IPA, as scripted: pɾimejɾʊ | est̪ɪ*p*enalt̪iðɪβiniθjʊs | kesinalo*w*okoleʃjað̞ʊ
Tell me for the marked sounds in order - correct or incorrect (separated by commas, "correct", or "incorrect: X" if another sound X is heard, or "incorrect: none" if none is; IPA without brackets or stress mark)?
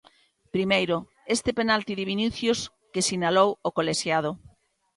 correct, correct